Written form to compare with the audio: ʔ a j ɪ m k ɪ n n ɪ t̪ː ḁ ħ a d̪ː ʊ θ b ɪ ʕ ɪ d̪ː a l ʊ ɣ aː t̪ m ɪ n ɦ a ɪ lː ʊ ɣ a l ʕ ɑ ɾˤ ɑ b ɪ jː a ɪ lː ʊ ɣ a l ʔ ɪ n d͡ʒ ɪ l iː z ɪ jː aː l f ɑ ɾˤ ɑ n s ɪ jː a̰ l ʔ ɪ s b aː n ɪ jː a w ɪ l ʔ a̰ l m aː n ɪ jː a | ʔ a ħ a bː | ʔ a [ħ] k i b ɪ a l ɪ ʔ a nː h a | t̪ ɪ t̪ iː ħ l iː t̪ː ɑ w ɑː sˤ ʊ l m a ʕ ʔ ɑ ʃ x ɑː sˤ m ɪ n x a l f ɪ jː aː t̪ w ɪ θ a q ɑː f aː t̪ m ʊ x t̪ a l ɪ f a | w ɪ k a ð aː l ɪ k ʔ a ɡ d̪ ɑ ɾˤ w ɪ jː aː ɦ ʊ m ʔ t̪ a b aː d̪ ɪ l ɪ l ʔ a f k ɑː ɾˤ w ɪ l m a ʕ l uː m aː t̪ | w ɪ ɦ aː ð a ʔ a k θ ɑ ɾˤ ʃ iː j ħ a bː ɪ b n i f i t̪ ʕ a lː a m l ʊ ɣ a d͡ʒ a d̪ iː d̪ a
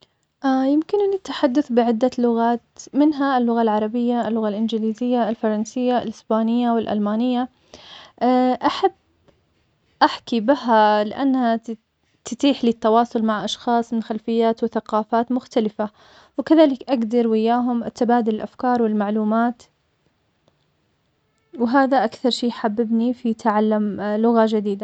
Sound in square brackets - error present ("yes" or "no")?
no